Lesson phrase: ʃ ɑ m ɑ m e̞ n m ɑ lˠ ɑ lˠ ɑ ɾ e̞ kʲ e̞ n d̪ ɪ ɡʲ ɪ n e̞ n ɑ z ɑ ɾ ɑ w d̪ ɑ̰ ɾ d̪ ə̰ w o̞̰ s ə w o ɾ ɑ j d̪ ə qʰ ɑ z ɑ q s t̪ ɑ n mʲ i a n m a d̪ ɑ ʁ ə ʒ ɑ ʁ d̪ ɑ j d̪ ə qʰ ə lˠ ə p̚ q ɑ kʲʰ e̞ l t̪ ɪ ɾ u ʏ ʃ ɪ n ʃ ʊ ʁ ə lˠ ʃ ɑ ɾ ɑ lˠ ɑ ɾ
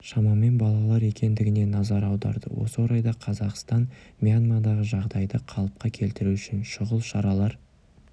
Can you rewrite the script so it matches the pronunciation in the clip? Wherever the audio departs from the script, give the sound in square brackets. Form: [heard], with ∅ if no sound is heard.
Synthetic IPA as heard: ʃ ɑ m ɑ m e̞ n [b] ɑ lˠ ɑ lˠ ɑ ɾ e̞ kʲ e̞ n d̪ ɪ ɡʲ ɪ n e̞ n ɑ z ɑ ɾ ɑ w d̪ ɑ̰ ɾ d̪ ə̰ w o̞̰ s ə w o ɾ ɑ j d̪ [ɑ] qʰ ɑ z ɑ q s t̪ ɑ n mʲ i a n m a d̪ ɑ ʁ ə ʒ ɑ ʁ d̪ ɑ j d̪ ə qʰ [ɑ] lˠ ə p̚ q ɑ kʲʰ e̞ l t̪ ɪ ɾ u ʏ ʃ ɪ n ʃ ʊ ʁ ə lˠ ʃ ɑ ɾ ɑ lˠ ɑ ɾ

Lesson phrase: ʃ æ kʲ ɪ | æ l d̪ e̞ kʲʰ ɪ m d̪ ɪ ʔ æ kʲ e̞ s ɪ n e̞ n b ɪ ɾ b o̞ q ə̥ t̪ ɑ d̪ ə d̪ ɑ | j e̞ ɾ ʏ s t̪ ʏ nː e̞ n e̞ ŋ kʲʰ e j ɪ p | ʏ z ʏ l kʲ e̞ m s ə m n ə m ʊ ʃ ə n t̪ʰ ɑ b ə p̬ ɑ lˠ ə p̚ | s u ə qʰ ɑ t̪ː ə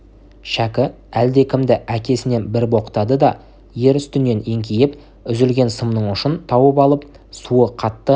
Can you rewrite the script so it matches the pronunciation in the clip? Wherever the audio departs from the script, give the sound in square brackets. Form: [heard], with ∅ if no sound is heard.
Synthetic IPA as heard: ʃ æ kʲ ɪ | æ l d̪ e̞ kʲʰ ɪ m d̪ ɪ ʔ æ kʲ e̞ s ɪ n e̞ n b ɪ ɾ b o̞ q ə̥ t̪ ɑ d̪ ə d̪ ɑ | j e̞ ɾ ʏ s t̪ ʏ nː e̞ n e̞ ŋ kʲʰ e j ɪ p | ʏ z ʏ l [ɡʲ] e̞ [n] s ə m n ə [ɴ] ʊ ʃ ə n t̪ʰ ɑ [w] ə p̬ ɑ lˠ ə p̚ | s u ə qʰ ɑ t̪ː ə

